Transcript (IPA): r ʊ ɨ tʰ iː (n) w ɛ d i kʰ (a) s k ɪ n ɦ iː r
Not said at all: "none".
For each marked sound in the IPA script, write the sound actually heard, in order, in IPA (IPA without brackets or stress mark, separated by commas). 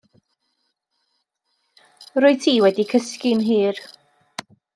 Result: none, ə